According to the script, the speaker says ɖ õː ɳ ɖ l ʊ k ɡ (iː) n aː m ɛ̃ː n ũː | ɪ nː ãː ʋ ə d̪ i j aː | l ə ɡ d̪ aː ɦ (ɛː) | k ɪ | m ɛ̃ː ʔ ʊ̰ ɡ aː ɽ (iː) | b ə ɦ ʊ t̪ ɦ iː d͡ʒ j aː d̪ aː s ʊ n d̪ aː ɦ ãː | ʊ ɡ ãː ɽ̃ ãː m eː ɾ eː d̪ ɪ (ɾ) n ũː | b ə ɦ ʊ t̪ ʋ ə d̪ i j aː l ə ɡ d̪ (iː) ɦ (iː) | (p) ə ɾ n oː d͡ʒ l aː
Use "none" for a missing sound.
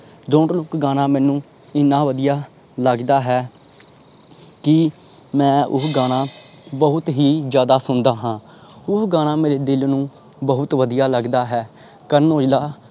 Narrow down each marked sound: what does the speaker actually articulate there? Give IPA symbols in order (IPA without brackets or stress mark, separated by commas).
aː, ɛː, aː, l, aː, ɛː, k